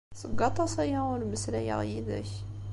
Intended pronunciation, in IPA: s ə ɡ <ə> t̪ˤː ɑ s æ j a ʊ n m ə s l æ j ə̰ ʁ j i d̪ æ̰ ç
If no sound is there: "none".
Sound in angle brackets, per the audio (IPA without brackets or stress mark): ɑ